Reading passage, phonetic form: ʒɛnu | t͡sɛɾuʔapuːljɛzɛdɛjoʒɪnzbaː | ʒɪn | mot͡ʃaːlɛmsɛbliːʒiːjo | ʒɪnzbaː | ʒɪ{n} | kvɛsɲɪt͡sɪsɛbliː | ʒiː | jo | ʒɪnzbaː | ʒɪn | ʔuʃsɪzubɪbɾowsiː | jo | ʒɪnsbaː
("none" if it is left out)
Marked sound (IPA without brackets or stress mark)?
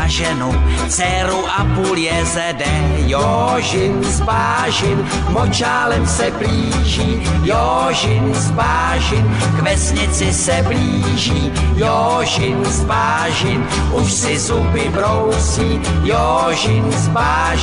n